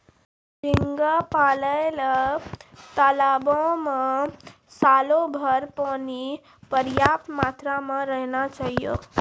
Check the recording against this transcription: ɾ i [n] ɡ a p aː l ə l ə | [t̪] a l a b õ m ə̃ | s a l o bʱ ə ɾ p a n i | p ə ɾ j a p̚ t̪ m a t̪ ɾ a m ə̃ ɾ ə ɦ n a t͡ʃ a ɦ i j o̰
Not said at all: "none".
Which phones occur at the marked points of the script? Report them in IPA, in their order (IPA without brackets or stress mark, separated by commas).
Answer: ŋ, t̪